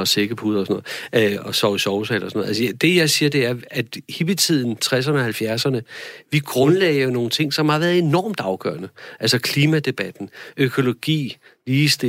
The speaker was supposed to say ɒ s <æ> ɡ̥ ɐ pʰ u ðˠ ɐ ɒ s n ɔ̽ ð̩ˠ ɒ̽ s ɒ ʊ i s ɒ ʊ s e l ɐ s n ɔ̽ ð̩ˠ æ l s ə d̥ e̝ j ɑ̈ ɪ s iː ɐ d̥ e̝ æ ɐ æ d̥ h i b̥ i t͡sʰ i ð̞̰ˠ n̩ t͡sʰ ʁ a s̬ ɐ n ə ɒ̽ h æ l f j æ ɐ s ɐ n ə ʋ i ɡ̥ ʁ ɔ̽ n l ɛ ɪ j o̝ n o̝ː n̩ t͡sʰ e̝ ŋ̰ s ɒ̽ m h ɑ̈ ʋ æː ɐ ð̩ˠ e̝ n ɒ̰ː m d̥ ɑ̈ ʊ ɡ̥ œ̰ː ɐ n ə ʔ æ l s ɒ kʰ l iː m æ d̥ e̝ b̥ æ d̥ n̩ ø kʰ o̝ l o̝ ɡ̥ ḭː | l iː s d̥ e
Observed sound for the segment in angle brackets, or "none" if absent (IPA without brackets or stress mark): e